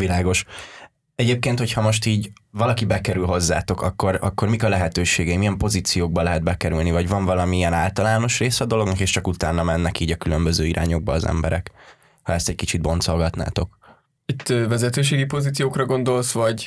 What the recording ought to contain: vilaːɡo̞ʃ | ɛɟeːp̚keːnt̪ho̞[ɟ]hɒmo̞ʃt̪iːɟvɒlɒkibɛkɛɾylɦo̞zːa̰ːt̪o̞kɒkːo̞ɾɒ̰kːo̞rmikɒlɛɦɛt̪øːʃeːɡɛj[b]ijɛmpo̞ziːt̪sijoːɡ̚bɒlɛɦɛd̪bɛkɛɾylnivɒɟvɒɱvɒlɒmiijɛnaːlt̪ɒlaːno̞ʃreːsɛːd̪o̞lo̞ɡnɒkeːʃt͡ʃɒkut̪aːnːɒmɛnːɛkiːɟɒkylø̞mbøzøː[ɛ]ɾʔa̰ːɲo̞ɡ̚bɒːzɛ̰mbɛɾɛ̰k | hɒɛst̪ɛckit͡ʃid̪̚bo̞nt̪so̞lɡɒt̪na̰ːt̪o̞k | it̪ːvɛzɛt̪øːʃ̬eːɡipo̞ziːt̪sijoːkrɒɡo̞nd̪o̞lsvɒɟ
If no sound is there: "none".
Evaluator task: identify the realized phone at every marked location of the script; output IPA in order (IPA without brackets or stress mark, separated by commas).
c, m, i